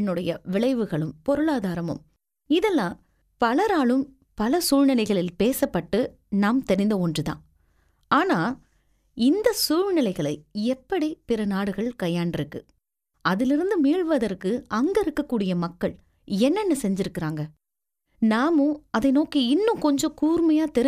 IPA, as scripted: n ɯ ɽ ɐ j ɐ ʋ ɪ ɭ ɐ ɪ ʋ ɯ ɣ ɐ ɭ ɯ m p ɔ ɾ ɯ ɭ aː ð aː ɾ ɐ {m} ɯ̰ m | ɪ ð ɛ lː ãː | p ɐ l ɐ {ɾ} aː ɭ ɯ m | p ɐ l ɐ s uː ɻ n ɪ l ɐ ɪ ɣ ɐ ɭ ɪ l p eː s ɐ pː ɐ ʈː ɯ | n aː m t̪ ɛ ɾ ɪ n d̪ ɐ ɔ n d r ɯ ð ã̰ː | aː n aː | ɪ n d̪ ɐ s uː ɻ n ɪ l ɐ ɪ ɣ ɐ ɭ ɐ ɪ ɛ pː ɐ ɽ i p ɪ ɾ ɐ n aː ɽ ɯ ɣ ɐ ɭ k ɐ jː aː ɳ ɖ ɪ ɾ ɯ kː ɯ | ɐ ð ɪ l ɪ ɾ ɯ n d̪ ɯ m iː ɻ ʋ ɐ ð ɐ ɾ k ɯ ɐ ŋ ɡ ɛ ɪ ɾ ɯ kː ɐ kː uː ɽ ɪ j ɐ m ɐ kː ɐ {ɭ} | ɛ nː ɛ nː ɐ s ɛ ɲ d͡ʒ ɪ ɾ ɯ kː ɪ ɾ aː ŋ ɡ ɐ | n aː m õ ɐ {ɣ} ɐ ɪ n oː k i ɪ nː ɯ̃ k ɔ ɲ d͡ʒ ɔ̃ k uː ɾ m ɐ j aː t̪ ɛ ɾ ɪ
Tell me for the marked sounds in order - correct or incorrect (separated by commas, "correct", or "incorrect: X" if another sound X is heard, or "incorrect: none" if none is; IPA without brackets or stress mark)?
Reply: correct, correct, correct, incorrect: ð